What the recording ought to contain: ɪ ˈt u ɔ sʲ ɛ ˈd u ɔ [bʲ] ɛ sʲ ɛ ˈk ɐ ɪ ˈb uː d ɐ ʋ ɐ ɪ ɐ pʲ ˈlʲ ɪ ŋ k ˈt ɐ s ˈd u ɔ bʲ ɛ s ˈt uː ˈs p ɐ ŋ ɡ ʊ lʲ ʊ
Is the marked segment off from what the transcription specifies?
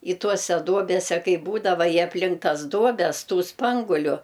no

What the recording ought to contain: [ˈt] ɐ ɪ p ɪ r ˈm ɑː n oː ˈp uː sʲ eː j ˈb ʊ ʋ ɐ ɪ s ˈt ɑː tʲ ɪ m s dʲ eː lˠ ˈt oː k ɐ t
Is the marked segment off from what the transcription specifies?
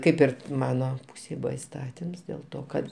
yes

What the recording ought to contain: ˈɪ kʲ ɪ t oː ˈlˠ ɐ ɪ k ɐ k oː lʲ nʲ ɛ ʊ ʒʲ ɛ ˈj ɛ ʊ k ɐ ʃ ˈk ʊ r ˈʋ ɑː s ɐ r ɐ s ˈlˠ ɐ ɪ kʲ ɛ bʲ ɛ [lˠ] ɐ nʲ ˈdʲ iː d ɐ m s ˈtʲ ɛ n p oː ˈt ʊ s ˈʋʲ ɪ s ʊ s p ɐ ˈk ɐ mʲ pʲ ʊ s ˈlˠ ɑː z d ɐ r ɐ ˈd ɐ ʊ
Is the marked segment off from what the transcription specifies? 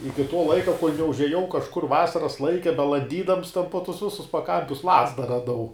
no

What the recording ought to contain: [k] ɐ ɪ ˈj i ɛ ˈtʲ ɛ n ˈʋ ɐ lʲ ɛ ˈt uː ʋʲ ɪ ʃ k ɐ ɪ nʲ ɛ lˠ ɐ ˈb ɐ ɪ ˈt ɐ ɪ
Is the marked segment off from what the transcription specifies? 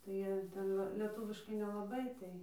yes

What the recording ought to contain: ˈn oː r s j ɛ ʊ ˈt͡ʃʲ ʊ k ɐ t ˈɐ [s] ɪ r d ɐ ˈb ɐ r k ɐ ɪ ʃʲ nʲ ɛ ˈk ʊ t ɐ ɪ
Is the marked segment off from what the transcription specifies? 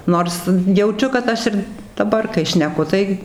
yes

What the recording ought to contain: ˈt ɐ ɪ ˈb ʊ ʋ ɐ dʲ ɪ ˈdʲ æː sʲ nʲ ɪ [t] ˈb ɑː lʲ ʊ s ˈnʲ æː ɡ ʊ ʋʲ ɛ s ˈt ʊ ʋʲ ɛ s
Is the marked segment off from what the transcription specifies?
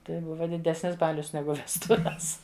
yes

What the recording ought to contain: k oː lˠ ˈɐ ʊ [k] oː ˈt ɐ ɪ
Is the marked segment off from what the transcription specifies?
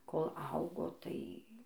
yes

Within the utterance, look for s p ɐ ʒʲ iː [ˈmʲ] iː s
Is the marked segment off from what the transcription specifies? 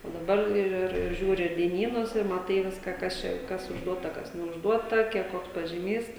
no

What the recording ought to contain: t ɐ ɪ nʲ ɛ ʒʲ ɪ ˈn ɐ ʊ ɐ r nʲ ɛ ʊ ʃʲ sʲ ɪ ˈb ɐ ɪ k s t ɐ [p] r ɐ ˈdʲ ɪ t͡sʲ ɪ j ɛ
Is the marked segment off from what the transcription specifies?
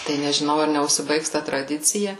yes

